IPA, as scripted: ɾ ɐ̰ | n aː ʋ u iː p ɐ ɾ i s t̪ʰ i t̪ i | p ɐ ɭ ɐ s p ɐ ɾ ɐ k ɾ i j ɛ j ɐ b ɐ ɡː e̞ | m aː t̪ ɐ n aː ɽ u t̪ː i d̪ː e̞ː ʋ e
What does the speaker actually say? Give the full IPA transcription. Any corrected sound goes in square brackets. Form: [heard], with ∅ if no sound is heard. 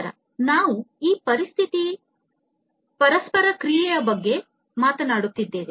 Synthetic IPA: ɾ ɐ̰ | n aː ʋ u iː p ɐ ɾ i s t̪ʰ i t̪ i | p ɐ [ɾ] ɐ s p ɐ ɾ ɐ k ɾ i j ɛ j ɐ b ɐ ɡː e̞ | m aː t̪ ɐ n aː ɽ u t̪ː i d̪ː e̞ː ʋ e